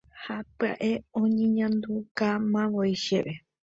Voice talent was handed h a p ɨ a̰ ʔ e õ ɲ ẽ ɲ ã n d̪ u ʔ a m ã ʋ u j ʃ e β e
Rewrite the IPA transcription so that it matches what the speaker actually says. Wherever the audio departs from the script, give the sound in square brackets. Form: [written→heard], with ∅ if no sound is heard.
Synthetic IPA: h a p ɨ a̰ ʔ e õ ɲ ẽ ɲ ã n d̪ u [ʔ→k] a m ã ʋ [u→o] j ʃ e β e

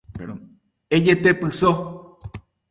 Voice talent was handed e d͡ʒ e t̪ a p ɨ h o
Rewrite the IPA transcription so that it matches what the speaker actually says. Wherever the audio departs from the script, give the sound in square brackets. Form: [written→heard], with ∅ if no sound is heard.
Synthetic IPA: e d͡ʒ e t̪ [a→e] p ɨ [h→s] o

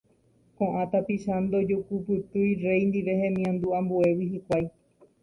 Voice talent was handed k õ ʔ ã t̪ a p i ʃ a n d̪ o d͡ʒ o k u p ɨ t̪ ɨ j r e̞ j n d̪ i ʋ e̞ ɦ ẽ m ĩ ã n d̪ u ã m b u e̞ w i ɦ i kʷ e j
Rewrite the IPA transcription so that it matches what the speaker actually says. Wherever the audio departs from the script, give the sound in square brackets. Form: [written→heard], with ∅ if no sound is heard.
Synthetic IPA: k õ ʔ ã t̪ a p i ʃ a n d̪ o d͡ʒ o k u p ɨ t̪ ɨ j r e̞ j n d̪ i ʋ e̞ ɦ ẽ m ĩ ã n d̪ u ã m b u e̞ w i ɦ i kʷ [e→a] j

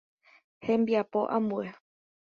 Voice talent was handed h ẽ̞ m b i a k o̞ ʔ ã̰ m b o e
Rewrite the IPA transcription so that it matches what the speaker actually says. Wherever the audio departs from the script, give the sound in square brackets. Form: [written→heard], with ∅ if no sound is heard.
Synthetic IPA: h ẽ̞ m b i a [k→p] o̞ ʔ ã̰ m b [o→u] e

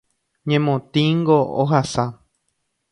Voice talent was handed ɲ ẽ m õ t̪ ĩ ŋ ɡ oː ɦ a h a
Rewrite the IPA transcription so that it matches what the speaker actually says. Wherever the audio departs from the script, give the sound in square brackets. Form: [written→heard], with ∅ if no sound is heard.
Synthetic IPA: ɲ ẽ m õ t̪ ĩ ŋ ɡ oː ɦ a [h→s] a

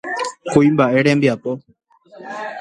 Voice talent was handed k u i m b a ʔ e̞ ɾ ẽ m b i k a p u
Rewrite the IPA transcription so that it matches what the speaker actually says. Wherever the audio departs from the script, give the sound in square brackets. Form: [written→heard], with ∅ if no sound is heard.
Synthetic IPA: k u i m b a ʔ e̞ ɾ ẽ m b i [k→∅] a p [u→o]

